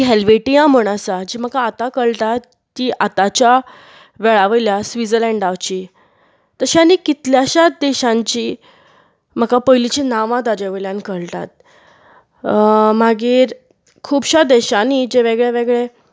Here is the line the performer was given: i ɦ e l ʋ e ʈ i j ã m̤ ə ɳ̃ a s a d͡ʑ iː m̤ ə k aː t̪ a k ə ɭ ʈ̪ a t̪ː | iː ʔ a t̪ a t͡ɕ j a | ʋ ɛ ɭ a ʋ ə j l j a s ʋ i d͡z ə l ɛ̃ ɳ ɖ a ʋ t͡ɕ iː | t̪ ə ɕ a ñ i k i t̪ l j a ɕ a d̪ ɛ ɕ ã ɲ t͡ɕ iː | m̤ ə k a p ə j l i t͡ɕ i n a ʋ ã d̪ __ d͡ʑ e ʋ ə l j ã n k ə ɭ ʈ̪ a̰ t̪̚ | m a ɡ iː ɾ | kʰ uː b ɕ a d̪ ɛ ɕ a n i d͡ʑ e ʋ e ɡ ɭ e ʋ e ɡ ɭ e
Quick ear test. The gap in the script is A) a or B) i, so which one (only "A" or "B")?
A